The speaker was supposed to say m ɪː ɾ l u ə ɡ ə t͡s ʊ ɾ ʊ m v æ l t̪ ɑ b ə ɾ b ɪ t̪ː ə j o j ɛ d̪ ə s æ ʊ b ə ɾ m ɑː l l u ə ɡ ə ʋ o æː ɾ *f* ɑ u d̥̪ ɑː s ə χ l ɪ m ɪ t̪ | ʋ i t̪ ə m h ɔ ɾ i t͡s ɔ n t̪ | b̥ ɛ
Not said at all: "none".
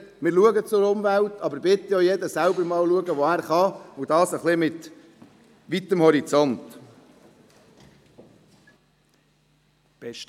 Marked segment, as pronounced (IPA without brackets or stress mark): χ